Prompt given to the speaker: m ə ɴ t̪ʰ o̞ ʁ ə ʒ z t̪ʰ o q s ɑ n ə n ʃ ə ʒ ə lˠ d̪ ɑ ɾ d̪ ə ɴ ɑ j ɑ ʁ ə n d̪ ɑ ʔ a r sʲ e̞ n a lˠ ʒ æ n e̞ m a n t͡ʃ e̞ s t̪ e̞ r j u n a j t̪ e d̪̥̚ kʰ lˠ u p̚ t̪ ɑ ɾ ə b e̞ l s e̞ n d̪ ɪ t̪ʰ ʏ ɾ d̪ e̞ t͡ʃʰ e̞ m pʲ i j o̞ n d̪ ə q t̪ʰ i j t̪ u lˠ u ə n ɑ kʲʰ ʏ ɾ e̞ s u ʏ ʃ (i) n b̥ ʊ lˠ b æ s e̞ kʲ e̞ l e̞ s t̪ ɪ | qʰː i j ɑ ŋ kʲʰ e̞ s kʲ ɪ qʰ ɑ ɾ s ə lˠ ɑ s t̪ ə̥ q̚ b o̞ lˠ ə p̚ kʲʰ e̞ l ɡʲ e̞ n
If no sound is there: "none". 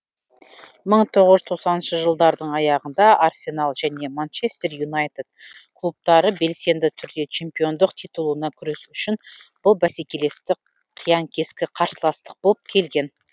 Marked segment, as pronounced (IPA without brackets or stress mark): ɪ